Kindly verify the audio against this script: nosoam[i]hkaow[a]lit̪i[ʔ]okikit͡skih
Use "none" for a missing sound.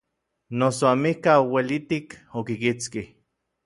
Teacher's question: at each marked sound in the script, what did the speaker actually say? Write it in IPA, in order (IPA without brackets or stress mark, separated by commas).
i, e, k